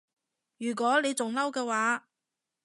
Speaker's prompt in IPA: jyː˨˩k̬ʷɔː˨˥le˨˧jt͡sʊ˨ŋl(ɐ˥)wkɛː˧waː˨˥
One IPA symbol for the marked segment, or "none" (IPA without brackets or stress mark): ɐ˥